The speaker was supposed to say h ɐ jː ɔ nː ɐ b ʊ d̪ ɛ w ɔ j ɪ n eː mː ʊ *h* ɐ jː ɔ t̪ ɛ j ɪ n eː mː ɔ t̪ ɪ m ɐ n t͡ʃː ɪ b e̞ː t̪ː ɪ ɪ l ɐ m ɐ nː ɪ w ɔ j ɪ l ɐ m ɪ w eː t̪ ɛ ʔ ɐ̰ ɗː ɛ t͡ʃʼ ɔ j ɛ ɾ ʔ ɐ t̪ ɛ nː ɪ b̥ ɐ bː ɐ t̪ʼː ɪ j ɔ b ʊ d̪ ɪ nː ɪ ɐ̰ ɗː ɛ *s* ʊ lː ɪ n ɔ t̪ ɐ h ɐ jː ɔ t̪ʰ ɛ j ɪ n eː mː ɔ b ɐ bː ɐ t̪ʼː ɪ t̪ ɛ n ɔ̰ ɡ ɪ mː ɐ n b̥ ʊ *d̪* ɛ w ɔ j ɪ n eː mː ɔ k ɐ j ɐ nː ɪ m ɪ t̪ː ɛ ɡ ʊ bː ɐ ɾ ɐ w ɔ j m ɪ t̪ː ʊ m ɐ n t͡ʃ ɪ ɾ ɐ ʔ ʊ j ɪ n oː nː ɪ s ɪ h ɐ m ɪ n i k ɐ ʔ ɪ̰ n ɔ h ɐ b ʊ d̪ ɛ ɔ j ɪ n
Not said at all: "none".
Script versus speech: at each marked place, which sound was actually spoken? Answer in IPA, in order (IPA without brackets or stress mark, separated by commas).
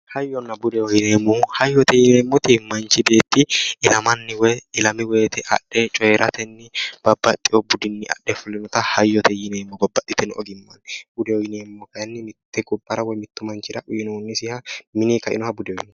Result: h, f, d̪